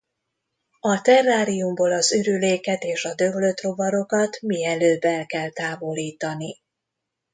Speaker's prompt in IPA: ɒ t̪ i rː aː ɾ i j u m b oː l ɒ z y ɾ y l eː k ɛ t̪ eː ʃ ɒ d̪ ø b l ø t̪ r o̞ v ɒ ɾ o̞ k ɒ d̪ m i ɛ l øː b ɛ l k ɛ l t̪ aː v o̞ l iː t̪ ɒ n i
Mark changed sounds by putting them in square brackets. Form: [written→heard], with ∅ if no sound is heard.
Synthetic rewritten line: ɒ t̪ [i→ɛ] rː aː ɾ i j u m b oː l ɒ z y ɾ y l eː k ɛ t̪ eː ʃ ɒ d̪ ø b l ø t̪ r o̞ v ɒ ɾ o̞ k ɒ [d̪→t̪] m i ɛ l øː b ɛ l k ɛ l t̪ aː v o̞ l iː t̪ ɒ n i

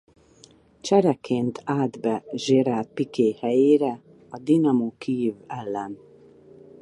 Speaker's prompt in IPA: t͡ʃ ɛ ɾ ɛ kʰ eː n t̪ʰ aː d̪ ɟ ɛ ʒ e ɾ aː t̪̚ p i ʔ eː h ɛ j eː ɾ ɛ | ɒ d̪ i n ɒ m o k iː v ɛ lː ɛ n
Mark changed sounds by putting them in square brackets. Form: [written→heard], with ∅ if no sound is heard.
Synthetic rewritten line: t͡ʃ ɛ ɾ ɛ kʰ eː n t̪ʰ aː d̪ [ɟ→b] ɛ ʒ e ɾ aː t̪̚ p i [ʔ→k] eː h ɛ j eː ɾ ɛ | ɒ d̪ i n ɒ m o k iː v ɛ lː ɛ n

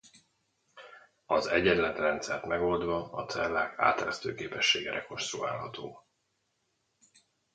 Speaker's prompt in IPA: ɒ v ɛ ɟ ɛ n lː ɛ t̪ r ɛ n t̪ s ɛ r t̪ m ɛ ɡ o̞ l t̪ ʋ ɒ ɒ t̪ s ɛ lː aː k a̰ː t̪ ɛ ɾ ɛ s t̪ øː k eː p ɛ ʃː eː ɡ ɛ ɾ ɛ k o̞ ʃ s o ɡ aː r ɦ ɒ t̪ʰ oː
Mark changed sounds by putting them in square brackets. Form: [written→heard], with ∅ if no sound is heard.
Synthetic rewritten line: ɒ [v→z] ɛ ɟ ɛ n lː ɛ t̪ r ɛ n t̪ s ɛ r t̪ m ɛ ɡ o̞ l [t̪→d̪] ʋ ɒ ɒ t̪ s ɛ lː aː k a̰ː t̪ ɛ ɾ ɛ s t̪ øː k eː p ɛ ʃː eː ɡ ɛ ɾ ɛ k o̞ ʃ s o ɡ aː [r→l] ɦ ɒ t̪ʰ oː

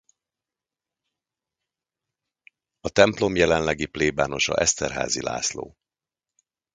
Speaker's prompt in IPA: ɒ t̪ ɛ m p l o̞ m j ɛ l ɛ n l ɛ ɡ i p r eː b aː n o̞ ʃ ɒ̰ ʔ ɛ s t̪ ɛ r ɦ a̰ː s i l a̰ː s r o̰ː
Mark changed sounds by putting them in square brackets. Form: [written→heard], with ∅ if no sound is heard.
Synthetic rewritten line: ɒ t̪ ɛ m p l o̞ m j ɛ l ɛ n l ɛ ɡ i p [r→l] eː b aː n o̞ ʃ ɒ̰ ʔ ɛ s t̪ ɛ r ɦ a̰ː [s→z] i l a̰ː s [r→l] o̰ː

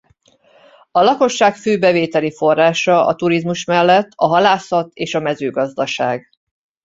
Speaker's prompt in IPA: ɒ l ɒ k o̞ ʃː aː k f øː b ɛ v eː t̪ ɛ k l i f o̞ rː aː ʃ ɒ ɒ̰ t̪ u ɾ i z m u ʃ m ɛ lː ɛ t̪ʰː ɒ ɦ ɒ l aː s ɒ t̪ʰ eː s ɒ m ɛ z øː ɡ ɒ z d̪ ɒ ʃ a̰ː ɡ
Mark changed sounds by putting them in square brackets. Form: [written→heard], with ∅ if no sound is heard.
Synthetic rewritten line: ɒ l ɒ k o̞ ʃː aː k f øː b ɛ v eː t̪ ɛ [k→∅] l i f o̞ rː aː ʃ ɒ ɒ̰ t̪ u ɾ i z m u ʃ m ɛ lː ɛ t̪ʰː ɒ ɦ ɒ l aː s ɒ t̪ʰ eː [s→ʃ] ɒ m ɛ z øː ɡ ɒ z d̪ ɒ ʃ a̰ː ɡ

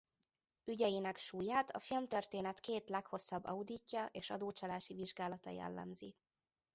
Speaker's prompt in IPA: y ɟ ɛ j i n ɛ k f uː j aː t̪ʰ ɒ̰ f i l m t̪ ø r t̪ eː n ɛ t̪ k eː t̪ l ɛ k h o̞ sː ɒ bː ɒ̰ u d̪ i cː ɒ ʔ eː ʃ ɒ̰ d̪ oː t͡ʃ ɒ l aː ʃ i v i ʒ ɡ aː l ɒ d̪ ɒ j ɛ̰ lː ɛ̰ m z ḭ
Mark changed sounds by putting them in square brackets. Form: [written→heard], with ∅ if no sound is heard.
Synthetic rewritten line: y ɟ ɛ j i n ɛ k [f→ʃ] uː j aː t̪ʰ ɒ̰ f i l m t̪ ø r t̪ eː n ɛ t̪ k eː t̪ l ɛ k h o̞ sː ɒ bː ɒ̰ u d̪ i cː ɒ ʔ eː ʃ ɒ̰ d̪ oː t͡ʃ ɒ l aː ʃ i v i ʒ ɡ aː l ɒ [d̪→t̪] ɒ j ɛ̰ lː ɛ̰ m z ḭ

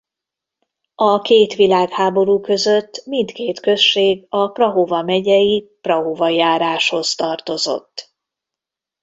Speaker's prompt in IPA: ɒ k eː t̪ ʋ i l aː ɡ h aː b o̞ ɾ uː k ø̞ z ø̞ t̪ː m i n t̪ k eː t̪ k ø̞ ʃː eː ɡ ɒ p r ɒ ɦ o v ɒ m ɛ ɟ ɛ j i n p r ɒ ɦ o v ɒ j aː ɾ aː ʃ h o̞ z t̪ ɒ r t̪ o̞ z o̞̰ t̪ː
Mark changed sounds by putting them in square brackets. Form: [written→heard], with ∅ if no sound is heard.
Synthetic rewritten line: ɒ k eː t̪ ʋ i l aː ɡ h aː b o̞ ɾ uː k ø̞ z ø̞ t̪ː m i n t̪ k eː t̪ k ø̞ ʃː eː ɡ ɒ p r ɒ ɦ o v ɒ m ɛ ɟ ɛ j i [n→∅] p r ɒ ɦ o v ɒ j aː ɾ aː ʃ h o̞ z t̪ ɒ r t̪ o̞ z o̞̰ t̪ː

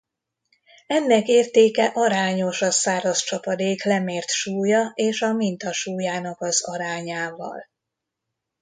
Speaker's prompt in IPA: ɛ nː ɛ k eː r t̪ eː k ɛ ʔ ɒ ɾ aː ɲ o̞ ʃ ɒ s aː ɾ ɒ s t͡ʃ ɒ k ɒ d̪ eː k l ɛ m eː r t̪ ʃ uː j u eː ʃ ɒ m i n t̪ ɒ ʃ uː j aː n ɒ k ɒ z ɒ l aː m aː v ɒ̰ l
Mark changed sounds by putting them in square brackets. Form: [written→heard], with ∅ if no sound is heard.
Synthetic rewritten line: ɛ nː ɛ k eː r t̪ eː k ɛ ʔ ɒ ɾ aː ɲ o̞ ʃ ɒ s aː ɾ ɒ s t͡ʃ ɒ [k→p] ɒ d̪ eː k l ɛ m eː r t̪ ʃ uː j [u→ɒ] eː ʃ ɒ m i n t̪ ɒ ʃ uː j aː n ɒ k ɒ z ɒ [l→ɾ] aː [m→ɲ] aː v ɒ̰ l

